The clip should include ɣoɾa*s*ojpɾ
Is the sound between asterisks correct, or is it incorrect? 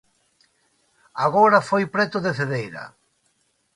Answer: incorrect